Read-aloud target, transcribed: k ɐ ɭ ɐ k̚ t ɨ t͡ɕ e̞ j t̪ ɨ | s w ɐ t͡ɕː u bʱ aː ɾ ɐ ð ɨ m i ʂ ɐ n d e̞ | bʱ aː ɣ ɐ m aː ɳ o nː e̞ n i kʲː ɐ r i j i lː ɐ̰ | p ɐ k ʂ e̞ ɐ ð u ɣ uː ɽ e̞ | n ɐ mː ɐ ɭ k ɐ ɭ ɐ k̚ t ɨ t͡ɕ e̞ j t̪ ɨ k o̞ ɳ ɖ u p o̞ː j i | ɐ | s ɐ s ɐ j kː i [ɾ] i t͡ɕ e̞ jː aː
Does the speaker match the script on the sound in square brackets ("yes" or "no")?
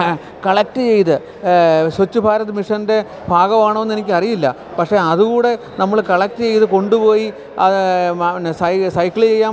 no